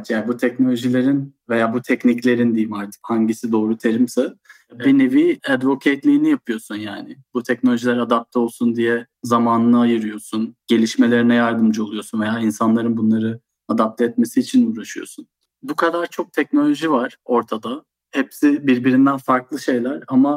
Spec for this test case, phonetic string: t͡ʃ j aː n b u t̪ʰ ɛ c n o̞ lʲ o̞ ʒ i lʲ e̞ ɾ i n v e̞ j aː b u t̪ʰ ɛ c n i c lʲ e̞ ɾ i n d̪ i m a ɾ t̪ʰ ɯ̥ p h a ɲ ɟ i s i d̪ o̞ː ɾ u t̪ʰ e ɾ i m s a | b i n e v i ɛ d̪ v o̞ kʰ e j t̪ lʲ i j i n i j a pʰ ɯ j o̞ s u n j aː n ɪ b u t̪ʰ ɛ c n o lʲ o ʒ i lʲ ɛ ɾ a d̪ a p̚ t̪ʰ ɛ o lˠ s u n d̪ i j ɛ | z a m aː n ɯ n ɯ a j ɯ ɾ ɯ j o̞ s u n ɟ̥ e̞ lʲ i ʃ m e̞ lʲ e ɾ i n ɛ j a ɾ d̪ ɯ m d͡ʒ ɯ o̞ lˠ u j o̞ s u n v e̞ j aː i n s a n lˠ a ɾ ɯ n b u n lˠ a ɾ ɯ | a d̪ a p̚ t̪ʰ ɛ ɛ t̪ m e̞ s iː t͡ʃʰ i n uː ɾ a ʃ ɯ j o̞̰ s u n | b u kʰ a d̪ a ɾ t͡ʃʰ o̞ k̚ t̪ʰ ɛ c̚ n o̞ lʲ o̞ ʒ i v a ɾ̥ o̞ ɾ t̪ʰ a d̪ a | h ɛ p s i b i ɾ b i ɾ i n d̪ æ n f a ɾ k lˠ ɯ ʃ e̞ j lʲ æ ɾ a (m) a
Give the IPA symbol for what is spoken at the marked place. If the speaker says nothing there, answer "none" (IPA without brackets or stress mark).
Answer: m